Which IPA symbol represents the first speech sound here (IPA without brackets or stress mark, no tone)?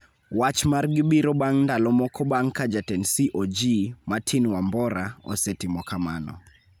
w